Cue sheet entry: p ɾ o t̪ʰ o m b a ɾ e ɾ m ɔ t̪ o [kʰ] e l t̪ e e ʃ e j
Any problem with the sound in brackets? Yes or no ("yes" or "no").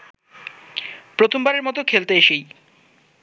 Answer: no